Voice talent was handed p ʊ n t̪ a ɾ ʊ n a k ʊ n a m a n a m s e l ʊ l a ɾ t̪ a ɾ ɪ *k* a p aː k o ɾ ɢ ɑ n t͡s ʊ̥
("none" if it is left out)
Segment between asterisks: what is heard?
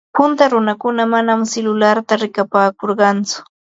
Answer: k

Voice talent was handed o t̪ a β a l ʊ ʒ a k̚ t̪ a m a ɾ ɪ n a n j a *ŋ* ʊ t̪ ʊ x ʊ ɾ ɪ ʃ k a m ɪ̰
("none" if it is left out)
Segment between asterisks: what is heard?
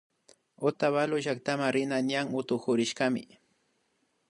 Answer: ŋ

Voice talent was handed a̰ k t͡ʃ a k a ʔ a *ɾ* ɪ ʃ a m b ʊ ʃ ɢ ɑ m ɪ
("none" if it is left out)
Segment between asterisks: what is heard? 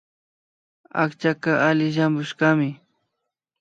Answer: l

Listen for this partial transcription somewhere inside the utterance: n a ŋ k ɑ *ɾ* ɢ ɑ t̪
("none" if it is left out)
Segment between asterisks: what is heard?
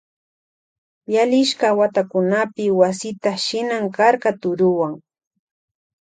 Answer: ɾ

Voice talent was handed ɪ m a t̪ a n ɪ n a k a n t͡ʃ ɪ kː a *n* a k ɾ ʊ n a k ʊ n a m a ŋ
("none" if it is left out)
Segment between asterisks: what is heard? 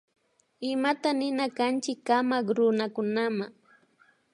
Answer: m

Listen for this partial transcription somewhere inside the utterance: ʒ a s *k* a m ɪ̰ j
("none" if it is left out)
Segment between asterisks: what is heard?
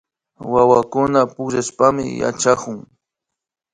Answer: p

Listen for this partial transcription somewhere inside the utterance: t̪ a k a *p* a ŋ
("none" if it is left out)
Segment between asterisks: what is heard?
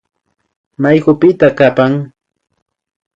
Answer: p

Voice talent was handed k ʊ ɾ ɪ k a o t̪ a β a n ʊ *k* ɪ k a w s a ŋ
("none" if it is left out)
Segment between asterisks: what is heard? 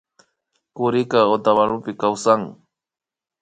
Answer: p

